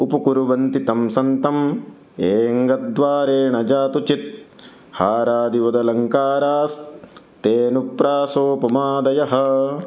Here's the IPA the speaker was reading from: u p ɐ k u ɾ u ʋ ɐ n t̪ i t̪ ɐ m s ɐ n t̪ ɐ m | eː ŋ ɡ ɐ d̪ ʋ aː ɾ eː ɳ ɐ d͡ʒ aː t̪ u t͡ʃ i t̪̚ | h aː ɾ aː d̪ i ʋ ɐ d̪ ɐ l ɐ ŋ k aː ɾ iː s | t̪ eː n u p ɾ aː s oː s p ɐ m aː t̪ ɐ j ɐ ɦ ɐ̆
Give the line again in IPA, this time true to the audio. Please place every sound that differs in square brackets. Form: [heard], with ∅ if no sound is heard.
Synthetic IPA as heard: u p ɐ k u ɾ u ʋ ɐ n t̪ i t̪ ɐ m s ɐ n t̪ ɐ m | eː ŋ ɡ ɐ d̪ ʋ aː ɾ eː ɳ ɐ d͡ʒ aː t̪ u t͡ʃ i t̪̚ | h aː ɾ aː d̪ i ʋ ɐ d̪ ɐ l ɐ ŋ k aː ɾ [aː] s | t̪ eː n u p ɾ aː s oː [∅] p ɐ m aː [d̪] ɐ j ɐ ɦ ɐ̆

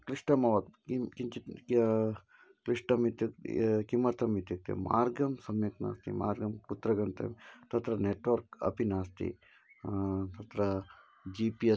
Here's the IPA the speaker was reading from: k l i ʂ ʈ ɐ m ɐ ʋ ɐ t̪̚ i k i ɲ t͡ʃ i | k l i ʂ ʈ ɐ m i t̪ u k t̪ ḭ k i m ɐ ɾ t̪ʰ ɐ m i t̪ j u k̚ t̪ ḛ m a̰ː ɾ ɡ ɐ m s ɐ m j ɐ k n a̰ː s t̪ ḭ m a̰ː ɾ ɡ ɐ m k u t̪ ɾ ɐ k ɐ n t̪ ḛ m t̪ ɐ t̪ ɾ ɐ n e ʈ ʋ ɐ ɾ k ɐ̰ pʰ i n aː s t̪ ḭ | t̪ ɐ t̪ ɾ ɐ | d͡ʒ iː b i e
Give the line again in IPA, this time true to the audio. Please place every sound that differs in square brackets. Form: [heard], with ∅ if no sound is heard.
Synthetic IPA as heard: k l i ʂ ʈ ɐ m ɐ ʋ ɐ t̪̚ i k i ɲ t͡ʃ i | k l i ʂ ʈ ɐ m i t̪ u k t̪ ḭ k i m ɐ ɾ t̪ʰ ɐ m i t̪ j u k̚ t̪ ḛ m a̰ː ɾ ɡ ɐ m s ɐ m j ɐ k n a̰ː s t̪ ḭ m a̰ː ɾ ɡ ɐ m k u t̪ ɾ ɐ [ɡ] ɐ n t̪ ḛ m t̪ ɐ t̪ ɾ ɐ n e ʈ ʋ ɐ ɾ k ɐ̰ [p] i n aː s t̪ ḭ | t̪ ɐ t̪ ɾ ɐ | d͡ʒ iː [p] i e

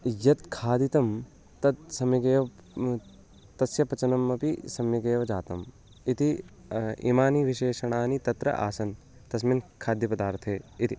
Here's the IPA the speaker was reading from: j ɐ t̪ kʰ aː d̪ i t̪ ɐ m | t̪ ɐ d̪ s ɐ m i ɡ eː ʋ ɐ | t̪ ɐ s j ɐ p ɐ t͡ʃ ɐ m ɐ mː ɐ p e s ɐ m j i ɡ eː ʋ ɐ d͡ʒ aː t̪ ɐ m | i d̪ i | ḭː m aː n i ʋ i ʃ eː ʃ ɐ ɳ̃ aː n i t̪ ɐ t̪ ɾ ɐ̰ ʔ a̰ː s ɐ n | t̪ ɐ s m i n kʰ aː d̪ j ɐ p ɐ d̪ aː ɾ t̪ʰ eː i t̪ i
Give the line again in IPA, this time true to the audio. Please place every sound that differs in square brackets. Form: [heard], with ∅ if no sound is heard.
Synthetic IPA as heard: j ɐ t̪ kʰ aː d̪ i t̪ ɐ m | t̪ ɐ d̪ s ɐ m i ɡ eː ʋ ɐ | t̪ ɐ s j ɐ p ɐ t͡ʃ ɐ [n] ɐ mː ɐ p [i] s ɐ m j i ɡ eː ʋ ɐ d͡ʒ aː t̪ ɐ m | i [t̪] i | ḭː m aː n i ʋ i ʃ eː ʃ ɐ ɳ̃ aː n i t̪ ɐ t̪ ɾ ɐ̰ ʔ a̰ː s ɐ n | t̪ ɐ s m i n kʰ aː d̪ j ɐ p ɐ d̪ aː ɾ t̪ʰ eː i t̪ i

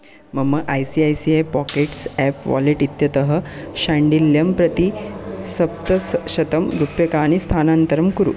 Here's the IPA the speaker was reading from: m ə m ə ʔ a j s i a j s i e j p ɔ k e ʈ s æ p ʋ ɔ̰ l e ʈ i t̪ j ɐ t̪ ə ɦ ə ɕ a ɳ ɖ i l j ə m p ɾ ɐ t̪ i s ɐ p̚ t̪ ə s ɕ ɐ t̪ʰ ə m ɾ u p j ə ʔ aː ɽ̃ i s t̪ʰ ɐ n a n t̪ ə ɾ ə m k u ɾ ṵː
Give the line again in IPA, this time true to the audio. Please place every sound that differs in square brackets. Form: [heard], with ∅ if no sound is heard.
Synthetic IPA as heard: m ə m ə ʔ a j s i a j s i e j p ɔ k e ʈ s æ p ʋ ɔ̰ l e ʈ i t̪ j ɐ t̪ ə ɦ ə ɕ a ɳ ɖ i l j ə m p ɾ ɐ t̪ i s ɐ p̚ t̪ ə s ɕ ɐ [t̪] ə m ɾ u p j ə [k] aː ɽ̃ i s t̪ʰ [a] n a n t̪ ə ɾ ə m k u ɾ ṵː

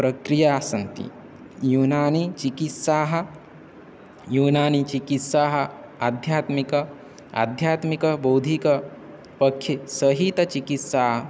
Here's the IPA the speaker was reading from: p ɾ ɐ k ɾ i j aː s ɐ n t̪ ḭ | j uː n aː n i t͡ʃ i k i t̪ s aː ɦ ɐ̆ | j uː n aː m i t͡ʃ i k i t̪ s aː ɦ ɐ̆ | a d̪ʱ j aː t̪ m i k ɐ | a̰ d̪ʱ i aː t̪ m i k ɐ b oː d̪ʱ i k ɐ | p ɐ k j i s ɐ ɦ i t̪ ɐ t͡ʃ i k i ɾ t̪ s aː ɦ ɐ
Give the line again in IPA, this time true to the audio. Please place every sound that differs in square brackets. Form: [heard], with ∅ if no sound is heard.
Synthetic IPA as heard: p ɾ ɐ k ɾ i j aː s ɐ n t̪ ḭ | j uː n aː n i t͡ʃ i k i t̪ s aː ɦ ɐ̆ | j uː n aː [n] i t͡ʃ i k i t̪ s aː ɦ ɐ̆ | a d̪ʱ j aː t̪ m i k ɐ | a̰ d̪ʱ [j] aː t̪ m i k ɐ b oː d̪ʱ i k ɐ | p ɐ [kʰ] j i s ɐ ɦ i t̪ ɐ t͡ʃ i k i [∅] t̪ s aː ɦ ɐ

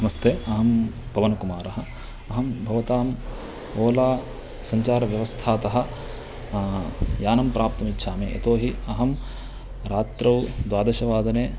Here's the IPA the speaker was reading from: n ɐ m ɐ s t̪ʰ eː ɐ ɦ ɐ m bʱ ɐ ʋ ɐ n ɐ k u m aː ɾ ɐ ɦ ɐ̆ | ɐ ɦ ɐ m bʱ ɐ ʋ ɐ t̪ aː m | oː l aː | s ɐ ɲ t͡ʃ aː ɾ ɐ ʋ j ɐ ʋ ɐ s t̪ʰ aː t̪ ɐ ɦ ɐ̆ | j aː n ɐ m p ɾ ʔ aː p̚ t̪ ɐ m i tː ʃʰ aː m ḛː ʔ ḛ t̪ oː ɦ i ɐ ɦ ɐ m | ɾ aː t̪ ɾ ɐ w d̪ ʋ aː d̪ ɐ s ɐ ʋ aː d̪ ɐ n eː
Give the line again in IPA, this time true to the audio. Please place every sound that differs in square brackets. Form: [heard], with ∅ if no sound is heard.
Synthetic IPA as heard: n ɐ m ɐ s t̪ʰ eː ɐ ɦ ɐ m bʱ ɐ ʋ ɐ n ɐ k u m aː ɾ ɐ ɦ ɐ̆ | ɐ ɦ ɐ m bʱ ɐ ʋ ɐ t̪ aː m | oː l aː | s ɐ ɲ t͡ʃ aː ɾ ɐ ʋ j ɐ ʋ ɐ s t̪ʰ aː t̪ ɐ ɦ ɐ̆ | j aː n ɐ m p ɾ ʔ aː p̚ t̪ ɐ m i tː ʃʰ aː m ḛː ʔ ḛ t̪ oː ɦ i ɐ ɦ ɐ m | ɾ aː t̪ ɾ ɐ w d̪ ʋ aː d̪ ɐ [ʃ] ɐ ʋ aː d̪ ɐ n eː

